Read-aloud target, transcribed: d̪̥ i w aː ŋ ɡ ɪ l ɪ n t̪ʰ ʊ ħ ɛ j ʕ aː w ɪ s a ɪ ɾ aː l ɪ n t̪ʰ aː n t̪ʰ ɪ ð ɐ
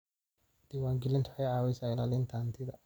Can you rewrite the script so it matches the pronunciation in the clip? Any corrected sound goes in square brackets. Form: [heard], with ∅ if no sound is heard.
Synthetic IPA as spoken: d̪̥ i w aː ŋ ɡ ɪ l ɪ n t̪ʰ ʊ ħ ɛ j ʕ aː w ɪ s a ɪ [l] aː l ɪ n t̪ʰ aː n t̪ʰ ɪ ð ɐ

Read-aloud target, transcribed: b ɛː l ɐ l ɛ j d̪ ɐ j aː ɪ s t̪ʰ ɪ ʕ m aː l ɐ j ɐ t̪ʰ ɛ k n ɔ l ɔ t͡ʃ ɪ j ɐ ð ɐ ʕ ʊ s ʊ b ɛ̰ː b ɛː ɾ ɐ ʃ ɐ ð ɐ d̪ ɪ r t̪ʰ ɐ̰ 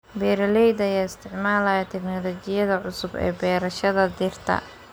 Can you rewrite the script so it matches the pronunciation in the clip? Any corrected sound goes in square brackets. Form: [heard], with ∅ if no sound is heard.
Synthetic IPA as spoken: b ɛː [ɾ] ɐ l ɛ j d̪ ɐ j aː ɪ s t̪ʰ ɪ ʕ m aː l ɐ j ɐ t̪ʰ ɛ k n ɔ l ɔ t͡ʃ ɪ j ɐ ð ɐ ʕ ʊ s ʊ b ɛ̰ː b ɛː ɾ ɐ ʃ ɐ ð ɐ d̪ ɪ r t̪ʰ ɐ̰

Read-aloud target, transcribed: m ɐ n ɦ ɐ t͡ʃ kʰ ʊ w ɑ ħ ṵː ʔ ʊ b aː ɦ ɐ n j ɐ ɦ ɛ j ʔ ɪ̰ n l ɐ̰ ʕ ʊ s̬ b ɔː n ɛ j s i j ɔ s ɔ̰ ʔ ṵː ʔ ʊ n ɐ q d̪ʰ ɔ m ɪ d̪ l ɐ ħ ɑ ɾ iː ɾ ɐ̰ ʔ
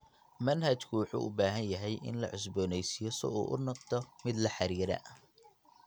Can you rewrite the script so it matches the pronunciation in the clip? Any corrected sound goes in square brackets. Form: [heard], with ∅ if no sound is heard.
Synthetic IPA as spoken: m ɐ n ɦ ɐ t͡ʃ kʰ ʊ w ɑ ħ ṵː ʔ ʊ b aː ɦ ɐ n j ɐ ɦ ɛ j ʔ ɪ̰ n l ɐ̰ ʕ ʊ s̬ b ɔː n ɛ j s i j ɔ s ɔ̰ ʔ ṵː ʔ ʊ n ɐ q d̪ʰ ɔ m ɪ d̪ l ɐ ħ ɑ ɾ iː ɾ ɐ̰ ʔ

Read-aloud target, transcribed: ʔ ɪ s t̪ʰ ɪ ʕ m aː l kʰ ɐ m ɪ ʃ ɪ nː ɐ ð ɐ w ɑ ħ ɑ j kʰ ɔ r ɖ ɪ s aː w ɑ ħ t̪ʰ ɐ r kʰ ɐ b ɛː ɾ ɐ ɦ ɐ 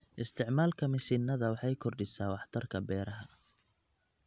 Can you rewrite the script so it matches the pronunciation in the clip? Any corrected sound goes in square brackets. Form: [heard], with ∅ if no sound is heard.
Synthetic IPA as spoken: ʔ ɪ s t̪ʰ ɪ ʕ m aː l kʰ ɐ m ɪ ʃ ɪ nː ɐ ð ɐ w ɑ ħ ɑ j kʰ ɔ r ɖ ɪ s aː w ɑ ħ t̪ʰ ɐ r kʰ ɐ b ɛː ɾ ɐ ɦ ɐ

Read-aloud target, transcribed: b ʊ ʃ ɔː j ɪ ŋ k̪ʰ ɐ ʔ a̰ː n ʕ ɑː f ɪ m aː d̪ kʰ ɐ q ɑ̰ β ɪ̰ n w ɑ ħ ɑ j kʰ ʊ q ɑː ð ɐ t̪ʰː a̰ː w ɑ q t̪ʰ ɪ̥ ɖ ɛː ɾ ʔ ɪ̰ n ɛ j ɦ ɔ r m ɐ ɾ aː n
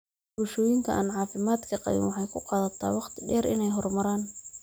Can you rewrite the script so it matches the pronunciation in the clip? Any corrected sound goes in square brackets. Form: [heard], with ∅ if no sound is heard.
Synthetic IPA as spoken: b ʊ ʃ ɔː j ɪ ŋ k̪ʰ ɐ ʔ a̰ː n ʕ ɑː f ɪ m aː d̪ kʰ ɐ q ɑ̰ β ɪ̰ n w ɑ ħ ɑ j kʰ ʊ q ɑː ð ɐ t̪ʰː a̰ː w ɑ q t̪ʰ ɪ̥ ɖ ɛː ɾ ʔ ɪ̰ n ɛ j ɦ ɔ r m ɐ ɾ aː n

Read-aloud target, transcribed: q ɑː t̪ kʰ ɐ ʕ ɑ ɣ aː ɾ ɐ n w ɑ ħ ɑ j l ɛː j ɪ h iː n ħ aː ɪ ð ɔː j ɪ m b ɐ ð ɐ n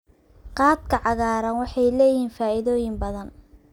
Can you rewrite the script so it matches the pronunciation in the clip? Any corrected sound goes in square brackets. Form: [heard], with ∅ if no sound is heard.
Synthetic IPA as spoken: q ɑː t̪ kʰ ɐ ʕ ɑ ɣ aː ɾ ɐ n w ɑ ħ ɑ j l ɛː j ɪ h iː n [f] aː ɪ ð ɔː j ɪ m b ɐ ð ɐ n

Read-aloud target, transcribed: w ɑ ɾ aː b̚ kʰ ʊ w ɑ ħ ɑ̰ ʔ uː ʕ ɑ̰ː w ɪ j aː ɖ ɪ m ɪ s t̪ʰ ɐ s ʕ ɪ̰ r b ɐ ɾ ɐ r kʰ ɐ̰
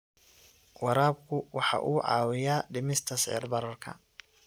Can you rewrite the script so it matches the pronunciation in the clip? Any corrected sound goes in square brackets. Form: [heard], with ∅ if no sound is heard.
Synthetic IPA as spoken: w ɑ ɾ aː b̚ kʰ ʊ w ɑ ħ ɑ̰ ʔ uː ʕ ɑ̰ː w ɪ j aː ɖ ɪ m ɪ s t̪ʰ ɐ s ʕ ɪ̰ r b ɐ ɾ ɐ r kʰ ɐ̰

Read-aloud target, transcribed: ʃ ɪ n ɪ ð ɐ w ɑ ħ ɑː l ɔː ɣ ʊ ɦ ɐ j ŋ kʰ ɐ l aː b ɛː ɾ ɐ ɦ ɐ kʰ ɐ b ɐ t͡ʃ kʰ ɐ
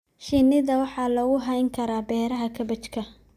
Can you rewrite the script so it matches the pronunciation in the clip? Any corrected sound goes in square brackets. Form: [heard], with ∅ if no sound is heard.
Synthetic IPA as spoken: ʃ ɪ n ɪ ð ɐ w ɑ ħ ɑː l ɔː ɣ ʊ ɦ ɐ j ŋ kʰ ɐ [ɾ] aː b ɛː ɾ ɐ ɦ ɐ kʰ ɐ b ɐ t͡ʃ kʰ ɐ

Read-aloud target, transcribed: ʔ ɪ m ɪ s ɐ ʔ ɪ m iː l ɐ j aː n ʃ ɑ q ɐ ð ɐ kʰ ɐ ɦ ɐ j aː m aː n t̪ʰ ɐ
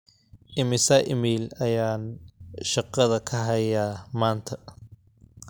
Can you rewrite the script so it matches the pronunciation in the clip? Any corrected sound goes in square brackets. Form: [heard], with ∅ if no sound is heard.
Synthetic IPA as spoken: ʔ ɪ m ɪ s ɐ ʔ ɪ m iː l ɐ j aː n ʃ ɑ q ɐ ð ɐ kʰ ɐ ɦ ɐ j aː m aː n t̪ʰ ɐ

